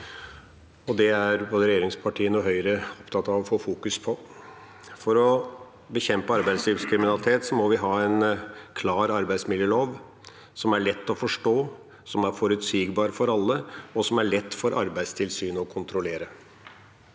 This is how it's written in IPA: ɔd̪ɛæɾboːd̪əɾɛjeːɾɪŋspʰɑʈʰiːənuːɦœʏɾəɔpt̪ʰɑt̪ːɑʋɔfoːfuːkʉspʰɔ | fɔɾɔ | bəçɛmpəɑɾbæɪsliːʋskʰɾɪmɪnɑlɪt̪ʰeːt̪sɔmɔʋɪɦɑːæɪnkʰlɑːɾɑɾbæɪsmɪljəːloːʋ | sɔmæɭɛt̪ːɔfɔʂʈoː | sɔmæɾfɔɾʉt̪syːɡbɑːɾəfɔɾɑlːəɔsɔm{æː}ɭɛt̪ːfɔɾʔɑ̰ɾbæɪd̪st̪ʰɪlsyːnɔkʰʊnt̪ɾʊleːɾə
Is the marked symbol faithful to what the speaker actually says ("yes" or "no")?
no